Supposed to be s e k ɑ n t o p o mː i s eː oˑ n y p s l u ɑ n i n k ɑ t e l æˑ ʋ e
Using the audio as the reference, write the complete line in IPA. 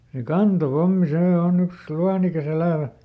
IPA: s e k ɑ n t o p o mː i s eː oˑ n y k s l u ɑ n i k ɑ s e l æˑ ʋ æ